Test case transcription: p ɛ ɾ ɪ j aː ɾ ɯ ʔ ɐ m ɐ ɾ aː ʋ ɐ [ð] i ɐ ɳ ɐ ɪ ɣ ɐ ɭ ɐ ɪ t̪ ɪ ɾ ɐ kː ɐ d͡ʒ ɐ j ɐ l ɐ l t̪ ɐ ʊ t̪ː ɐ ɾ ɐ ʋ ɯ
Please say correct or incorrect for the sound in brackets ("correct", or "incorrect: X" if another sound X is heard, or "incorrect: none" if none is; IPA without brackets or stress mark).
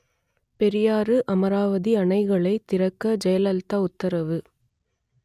correct